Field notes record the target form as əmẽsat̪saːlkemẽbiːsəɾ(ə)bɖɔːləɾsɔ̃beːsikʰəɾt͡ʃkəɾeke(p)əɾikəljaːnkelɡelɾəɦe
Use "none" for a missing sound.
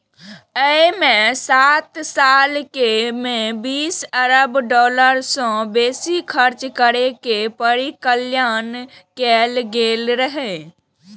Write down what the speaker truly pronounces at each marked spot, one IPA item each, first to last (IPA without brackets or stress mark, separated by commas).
ə, p